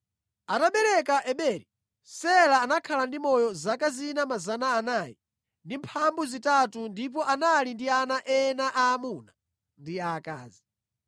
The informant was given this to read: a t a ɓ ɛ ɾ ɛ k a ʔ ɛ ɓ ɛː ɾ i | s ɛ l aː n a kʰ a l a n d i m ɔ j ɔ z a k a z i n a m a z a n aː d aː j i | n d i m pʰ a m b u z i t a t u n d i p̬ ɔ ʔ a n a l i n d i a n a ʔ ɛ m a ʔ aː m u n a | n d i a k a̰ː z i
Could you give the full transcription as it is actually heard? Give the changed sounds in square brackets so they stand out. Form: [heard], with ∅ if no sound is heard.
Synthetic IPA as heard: a t a ɓ ɛ ɾ ɛ k a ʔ ɛ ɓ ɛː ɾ i | s ɛ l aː n a kʰ a l a n d i m ɔ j ɔ z a k a z i n a m a z a n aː [n] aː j i | n d i m pʰ a m b u z i t a t u n d i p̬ ɔ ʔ a n a l i n d i a n a ʔ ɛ [n] a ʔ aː m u n a | n d i a k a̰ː z i